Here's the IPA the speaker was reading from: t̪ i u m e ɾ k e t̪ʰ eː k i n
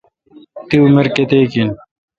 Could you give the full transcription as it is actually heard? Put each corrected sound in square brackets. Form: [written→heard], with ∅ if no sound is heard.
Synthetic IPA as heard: t̪ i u m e ɾ k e [t̪ʰ→t̪] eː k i n

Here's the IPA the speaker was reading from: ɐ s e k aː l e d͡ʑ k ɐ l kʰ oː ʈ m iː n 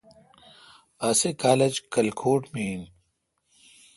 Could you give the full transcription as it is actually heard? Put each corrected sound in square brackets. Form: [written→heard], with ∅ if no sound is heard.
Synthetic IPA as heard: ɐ s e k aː l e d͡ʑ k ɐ l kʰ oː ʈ m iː n

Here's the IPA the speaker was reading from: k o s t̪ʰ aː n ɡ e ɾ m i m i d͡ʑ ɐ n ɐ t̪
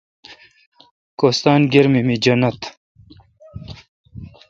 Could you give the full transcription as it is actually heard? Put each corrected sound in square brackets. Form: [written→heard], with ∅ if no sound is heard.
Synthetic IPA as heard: k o s [t̪ʰ→t̪] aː n ɡ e ɾ m i m i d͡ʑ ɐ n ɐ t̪

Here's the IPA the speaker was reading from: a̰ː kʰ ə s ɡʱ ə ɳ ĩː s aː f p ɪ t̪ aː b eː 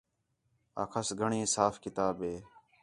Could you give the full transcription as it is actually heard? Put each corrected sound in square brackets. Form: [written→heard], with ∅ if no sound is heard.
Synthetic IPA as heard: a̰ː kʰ ə s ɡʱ ə ɳ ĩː s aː f [p→k] ɪ t̪ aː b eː

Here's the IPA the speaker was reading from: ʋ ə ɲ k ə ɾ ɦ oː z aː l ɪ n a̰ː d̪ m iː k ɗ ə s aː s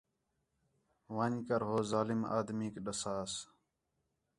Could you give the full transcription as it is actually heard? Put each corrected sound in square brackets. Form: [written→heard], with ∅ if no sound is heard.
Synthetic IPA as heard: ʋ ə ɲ k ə ɾ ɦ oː z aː l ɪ [n→m] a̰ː d̪ m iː k ɗ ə s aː s

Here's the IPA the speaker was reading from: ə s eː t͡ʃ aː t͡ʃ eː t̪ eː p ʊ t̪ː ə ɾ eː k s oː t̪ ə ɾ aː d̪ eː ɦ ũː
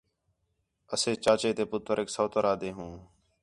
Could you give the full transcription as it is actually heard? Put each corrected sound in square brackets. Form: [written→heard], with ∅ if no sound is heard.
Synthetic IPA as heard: ə s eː t͡ʃ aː t͡ʃ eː t̪ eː p ʊ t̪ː ə ɾ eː k s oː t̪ ə ɾ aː d̪ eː ɦ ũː

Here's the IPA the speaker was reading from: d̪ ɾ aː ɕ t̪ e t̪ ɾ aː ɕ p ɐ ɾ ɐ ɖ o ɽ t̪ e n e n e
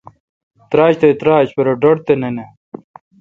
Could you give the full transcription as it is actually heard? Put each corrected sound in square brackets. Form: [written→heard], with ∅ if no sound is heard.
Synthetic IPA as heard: [d̪→t̪] ɾ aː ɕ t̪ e t̪ ɾ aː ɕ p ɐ ɾ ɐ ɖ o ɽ t̪ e n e n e

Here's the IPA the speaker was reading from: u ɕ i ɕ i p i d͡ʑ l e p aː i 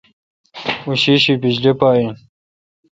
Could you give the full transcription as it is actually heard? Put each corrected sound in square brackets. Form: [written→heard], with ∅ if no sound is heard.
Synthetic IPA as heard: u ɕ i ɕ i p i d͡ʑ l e p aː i

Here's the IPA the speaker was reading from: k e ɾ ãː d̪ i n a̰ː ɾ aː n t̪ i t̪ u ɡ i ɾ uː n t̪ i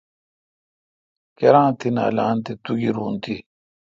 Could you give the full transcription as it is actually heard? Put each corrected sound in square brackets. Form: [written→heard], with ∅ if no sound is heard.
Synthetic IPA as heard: k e ɾ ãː [d̪→t̪] i n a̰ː [ɾ→l] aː n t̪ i t̪ u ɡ i ɾ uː n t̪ i

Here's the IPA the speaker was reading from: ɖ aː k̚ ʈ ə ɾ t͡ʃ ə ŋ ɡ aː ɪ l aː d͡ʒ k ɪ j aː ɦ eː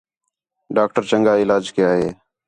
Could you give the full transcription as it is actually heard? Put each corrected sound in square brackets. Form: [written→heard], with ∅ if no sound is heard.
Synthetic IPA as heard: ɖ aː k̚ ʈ ə ɾ t͡ʃ ə ŋ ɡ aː ɪ l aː d͡ʒ k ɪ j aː ɦ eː

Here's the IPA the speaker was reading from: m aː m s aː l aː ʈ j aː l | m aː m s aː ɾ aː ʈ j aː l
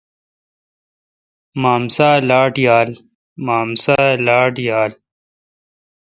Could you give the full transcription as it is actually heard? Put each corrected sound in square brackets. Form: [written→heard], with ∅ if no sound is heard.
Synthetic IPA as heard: m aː m s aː l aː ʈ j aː l | m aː m s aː [ɾ→l] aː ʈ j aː l

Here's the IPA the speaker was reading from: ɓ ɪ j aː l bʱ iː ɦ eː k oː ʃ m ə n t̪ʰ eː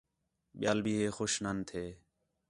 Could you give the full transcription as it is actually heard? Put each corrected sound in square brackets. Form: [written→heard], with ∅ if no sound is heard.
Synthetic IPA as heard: ɓ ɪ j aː l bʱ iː ɦ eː [k→x] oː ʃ [m→n] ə n t̪ʰ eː

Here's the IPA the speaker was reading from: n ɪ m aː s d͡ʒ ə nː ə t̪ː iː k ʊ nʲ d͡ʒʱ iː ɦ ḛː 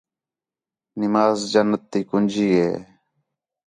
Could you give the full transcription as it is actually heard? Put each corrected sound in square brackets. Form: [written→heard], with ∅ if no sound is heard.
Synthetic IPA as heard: n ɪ m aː [s→z] d͡ʒ ə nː ə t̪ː iː k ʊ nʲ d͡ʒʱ iː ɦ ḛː

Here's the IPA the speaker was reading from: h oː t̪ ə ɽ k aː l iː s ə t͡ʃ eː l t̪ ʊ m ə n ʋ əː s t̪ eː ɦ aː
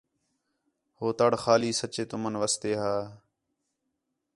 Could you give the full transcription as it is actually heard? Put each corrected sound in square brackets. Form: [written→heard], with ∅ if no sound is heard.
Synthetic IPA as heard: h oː t̪ ə ɽ [k→x] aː l iː s ə t͡ʃ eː [l→∅] t̪ ʊ m ə n ʋ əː s t̪ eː ɦ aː

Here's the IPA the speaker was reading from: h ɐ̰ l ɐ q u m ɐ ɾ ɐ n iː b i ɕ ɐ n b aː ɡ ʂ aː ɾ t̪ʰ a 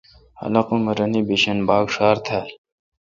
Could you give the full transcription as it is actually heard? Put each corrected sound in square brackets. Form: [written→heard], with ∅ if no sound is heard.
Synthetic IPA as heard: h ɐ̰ l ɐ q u m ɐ ɾ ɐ n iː b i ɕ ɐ n b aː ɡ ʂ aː ɾ t̪ʰ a

